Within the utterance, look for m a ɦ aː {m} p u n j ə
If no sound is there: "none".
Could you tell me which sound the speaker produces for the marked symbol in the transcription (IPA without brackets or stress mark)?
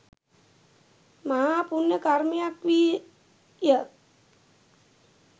none